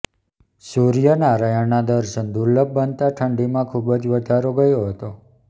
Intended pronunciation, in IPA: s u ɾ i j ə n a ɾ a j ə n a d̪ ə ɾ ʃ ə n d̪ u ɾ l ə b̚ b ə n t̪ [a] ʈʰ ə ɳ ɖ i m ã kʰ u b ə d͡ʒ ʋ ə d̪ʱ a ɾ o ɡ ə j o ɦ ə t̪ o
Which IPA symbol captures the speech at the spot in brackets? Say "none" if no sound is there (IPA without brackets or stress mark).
a